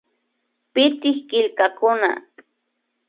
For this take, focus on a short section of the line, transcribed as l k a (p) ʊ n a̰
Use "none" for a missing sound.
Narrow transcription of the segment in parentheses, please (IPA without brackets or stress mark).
k